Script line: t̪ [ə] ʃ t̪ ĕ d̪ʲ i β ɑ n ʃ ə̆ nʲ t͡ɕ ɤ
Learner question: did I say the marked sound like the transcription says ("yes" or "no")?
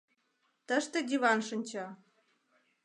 yes